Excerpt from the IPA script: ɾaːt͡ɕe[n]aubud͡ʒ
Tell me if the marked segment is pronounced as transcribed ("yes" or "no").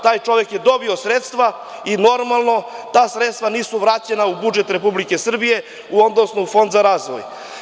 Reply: yes